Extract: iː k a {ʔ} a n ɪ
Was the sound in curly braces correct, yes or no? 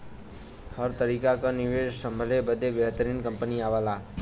no